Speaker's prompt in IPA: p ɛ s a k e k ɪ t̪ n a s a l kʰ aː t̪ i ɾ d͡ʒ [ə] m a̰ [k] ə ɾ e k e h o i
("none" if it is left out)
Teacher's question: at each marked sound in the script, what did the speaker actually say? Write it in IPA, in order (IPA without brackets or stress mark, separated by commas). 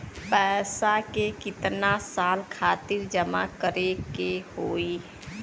ə, k